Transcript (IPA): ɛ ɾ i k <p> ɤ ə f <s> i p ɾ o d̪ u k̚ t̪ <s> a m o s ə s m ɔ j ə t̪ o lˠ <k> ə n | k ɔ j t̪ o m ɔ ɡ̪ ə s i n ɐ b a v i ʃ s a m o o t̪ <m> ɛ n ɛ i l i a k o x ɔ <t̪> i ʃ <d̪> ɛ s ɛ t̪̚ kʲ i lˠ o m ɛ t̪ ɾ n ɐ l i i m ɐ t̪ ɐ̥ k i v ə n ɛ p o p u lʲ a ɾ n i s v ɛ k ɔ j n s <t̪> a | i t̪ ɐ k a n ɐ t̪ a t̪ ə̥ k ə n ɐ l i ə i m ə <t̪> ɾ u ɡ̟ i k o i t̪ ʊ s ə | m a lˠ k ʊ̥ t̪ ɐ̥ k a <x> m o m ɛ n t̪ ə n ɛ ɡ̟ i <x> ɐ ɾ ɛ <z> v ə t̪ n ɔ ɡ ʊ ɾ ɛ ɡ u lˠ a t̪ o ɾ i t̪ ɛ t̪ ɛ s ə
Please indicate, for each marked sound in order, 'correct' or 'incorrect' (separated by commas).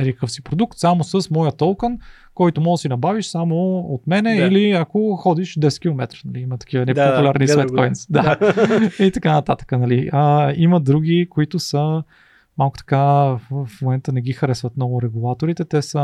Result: incorrect, correct, correct, correct, correct, incorrect, correct, incorrect, incorrect, incorrect, correct, incorrect